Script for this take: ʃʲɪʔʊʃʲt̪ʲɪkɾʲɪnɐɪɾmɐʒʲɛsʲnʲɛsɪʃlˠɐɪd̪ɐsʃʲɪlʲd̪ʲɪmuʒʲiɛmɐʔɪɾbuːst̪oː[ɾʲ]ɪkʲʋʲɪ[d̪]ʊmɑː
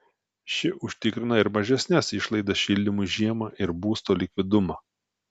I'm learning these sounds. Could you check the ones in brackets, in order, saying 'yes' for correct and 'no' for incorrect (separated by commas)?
no, yes